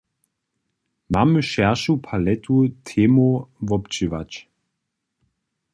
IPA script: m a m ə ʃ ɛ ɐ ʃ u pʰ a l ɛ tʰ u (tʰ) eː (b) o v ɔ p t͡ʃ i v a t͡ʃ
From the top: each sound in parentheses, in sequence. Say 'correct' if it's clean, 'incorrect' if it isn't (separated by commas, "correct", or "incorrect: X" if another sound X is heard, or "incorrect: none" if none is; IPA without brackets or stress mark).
correct, incorrect: m